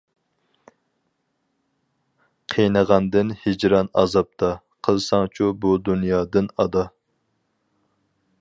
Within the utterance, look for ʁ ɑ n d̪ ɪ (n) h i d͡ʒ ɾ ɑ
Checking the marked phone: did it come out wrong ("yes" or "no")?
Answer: no